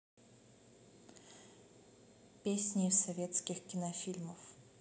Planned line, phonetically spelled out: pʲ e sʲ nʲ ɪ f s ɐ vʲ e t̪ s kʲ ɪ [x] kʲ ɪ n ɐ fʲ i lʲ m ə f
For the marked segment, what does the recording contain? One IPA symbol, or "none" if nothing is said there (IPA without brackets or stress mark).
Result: x